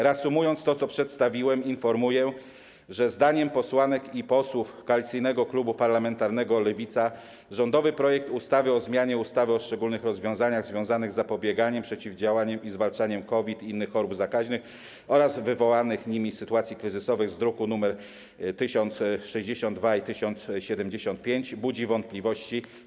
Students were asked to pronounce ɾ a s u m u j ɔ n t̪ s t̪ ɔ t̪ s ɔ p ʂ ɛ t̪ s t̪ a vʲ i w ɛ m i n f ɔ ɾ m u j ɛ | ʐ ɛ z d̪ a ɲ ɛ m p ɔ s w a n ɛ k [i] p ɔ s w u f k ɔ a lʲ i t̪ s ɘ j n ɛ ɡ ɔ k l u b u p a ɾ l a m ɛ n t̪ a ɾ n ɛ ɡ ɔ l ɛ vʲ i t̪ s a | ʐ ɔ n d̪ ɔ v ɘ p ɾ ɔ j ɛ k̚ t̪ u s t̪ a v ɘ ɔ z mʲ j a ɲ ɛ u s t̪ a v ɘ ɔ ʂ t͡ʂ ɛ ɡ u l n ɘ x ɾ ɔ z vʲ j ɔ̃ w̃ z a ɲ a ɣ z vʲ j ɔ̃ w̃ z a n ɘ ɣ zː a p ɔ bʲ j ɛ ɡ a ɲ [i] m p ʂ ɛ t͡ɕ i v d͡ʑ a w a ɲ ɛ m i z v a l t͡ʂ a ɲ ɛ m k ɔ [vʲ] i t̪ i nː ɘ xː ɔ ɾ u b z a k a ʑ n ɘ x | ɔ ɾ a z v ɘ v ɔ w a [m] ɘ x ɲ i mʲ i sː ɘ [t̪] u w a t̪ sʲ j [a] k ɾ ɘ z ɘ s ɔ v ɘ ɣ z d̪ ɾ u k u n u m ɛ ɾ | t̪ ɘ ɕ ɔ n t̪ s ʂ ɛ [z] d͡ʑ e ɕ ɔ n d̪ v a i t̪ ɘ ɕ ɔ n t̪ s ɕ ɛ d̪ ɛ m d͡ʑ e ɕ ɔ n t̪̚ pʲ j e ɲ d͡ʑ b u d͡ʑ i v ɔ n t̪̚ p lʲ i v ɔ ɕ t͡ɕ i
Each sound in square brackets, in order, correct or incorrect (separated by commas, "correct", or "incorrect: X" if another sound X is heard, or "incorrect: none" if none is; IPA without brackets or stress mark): correct, incorrect: ɛ, correct, incorrect: n, correct, incorrect: i, incorrect: ʑ